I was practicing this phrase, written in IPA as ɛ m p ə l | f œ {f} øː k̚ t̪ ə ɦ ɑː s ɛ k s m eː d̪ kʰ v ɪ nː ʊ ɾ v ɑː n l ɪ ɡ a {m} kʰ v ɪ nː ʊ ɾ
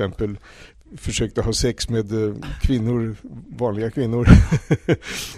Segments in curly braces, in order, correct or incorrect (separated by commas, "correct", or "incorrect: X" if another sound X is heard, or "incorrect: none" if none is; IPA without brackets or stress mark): incorrect: ʂ, incorrect: none